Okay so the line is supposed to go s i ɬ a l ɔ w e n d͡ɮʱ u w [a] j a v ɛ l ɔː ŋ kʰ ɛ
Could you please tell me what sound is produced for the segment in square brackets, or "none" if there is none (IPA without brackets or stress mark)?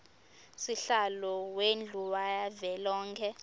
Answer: a